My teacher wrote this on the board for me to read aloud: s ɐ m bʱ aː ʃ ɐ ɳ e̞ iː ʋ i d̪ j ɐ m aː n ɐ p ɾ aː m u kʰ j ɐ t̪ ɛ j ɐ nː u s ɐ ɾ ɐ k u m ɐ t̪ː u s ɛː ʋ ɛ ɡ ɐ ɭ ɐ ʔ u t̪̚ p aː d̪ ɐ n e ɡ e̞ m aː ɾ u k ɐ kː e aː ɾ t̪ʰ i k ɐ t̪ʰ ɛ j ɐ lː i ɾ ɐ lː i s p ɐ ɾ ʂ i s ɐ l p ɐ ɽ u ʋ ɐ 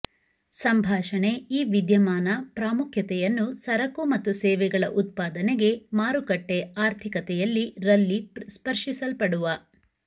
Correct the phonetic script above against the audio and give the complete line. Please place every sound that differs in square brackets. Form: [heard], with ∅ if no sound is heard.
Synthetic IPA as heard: s ɐ m bʱ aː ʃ ɐ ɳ e̞ iː ʋ i d̪ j ɐ m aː n ɐ p ɾ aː m u kʰ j ɐ t̪ ɛ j ɐ nː u s ɐ ɾ ɐ k u m ɐ t̪ː u s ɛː ʋ ɛ ɡ ɐ ɭ ɐ ʔ u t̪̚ p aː d̪ ɐ n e ɡ e̞ m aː ɾ u k ɐ [ʈː] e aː ɾ t̪ʰ i k ɐ [t̪] ɛ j ɐ lː i ɾ ɐ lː i s p ɐ ɾ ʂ i s ɐ l p ɐ ɽ u ʋ ɐ